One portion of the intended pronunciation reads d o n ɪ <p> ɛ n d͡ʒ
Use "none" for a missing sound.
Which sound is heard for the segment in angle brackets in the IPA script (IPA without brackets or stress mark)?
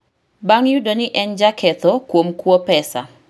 ʔ